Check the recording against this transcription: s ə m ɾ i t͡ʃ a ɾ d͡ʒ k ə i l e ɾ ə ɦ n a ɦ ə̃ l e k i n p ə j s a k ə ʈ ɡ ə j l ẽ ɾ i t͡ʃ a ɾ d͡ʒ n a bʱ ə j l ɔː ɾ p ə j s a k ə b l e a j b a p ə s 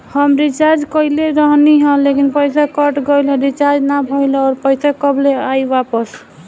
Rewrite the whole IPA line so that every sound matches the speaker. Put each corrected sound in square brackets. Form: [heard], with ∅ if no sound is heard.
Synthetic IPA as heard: [h] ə m ɾ i t͡ʃ a ɾ d͡ʒ k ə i l e ɾ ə ɦ n [i] ɦ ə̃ l e k i n p ə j s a k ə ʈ ɡ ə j l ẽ ɾ i t͡ʃ a ɾ d͡ʒ n a bʱ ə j l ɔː ɾ p ə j s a k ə b l e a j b a p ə s